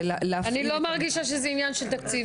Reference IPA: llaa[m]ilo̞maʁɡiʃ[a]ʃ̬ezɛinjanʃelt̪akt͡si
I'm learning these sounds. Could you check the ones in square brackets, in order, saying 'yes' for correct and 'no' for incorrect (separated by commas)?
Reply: no, yes